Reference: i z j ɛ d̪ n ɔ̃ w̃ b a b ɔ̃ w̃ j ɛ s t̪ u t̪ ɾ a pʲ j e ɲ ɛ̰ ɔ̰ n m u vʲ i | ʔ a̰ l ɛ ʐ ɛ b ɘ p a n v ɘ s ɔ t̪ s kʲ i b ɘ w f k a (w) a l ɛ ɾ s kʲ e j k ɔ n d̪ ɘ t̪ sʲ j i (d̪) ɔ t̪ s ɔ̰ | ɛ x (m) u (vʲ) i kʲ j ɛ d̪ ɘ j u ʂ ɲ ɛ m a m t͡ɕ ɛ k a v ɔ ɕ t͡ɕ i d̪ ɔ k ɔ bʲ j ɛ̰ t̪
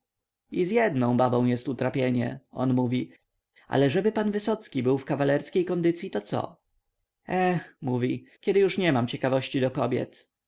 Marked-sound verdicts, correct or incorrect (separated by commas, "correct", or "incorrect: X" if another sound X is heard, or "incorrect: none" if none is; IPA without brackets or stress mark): incorrect: v, incorrect: t̪, correct, correct